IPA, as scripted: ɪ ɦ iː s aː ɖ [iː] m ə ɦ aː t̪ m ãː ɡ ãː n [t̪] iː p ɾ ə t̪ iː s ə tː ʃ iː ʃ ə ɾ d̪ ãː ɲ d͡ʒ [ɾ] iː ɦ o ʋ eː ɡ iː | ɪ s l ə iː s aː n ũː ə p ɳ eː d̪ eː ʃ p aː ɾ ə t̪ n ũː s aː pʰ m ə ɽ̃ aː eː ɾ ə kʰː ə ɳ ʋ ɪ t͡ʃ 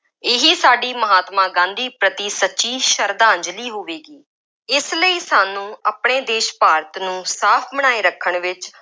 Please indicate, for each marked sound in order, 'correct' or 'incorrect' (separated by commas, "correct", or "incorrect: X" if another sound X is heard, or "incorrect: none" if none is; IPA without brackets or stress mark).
correct, incorrect: d̪, incorrect: l